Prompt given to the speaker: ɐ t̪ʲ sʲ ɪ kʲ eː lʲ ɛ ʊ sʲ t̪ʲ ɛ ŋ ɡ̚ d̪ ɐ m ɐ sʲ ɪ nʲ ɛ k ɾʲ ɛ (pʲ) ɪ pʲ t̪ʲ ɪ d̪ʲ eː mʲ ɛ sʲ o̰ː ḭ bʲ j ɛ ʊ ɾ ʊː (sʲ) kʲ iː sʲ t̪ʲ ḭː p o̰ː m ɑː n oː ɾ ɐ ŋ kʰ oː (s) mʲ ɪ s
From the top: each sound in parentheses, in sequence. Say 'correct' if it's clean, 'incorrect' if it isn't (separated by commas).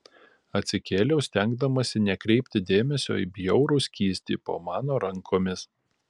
incorrect, correct, incorrect